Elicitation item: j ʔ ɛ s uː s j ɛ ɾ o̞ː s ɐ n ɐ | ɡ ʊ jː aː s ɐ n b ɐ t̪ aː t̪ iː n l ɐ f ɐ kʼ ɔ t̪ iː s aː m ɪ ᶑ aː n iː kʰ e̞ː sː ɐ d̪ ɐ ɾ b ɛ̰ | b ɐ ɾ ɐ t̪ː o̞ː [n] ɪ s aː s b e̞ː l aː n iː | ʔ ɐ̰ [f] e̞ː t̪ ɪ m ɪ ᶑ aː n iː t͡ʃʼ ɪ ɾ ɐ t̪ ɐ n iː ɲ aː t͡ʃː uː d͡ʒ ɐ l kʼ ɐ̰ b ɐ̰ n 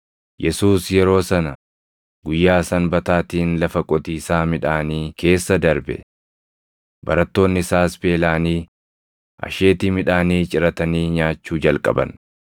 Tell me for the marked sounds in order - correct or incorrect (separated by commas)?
incorrect, incorrect